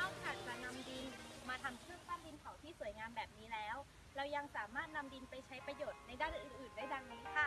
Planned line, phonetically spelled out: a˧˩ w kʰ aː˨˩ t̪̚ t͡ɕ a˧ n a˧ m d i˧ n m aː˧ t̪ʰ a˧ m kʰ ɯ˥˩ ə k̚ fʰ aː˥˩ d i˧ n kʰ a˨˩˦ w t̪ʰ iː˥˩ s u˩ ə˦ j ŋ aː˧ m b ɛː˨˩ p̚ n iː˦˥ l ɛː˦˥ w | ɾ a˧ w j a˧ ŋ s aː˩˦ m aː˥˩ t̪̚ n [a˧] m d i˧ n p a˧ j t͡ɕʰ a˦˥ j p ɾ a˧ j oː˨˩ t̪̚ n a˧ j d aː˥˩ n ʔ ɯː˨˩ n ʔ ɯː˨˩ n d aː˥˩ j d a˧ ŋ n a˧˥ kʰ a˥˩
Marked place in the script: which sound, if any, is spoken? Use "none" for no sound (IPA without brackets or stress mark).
a˧